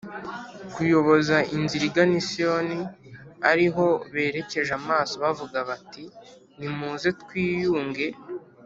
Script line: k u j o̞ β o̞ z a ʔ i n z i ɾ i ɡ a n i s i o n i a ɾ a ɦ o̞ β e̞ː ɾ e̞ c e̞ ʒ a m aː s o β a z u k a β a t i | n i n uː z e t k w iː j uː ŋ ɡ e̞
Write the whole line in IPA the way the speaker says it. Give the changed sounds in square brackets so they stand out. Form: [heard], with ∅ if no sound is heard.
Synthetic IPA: k u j o̞ β o̞ z a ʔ i n z i ɾ i ɡ a n i s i o n i a ɾ [i] ɦ o̞ β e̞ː ɾ e̞ c e̞ ʒ a m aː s o β a [v] u [ɡ] a β a t i | n i [m] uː z e t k w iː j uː ŋ ɡ e̞